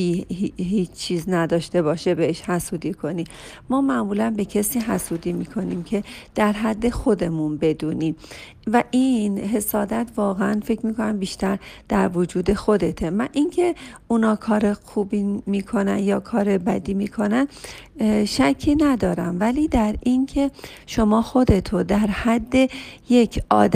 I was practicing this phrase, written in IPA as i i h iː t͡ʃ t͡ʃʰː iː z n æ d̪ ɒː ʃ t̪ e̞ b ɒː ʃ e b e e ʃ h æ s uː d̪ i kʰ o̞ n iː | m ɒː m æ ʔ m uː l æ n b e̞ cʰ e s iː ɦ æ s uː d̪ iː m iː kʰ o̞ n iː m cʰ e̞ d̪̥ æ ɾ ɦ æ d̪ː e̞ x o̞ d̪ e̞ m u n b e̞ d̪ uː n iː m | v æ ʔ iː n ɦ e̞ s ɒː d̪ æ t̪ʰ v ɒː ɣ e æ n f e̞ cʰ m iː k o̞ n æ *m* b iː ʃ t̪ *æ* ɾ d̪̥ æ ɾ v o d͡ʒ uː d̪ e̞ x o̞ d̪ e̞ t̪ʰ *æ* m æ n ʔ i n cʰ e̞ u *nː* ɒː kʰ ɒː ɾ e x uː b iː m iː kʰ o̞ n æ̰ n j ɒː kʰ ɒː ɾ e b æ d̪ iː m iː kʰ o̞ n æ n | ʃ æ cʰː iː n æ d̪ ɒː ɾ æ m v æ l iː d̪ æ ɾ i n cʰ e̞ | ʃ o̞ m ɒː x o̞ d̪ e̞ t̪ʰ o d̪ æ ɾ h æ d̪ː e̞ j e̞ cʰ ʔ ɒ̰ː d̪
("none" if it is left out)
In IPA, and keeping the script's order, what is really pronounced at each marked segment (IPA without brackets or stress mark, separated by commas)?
m, æ, e, n